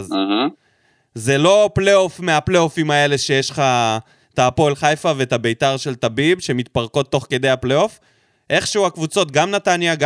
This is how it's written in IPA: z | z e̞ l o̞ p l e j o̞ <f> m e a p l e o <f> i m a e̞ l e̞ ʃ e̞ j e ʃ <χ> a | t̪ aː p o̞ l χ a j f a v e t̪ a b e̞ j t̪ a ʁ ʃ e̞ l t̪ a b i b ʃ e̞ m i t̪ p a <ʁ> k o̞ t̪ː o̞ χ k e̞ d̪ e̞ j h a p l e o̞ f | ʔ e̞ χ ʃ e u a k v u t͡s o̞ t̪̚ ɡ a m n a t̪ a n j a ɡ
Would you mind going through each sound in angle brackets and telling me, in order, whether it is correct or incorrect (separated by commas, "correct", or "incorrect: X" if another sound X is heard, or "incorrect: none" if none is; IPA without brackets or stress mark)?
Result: correct, correct, correct, correct